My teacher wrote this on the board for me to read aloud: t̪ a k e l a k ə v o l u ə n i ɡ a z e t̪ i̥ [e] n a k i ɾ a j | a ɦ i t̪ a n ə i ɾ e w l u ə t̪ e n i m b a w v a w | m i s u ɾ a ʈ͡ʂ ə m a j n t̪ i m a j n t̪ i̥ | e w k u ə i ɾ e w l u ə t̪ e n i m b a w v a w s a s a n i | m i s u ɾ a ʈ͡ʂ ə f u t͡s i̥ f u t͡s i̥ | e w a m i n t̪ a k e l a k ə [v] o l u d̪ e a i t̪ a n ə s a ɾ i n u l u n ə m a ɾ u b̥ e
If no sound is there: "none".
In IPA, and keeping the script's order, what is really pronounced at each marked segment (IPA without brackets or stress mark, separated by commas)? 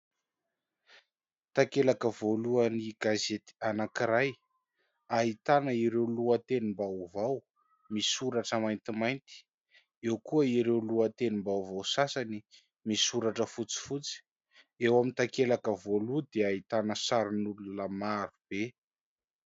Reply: a, v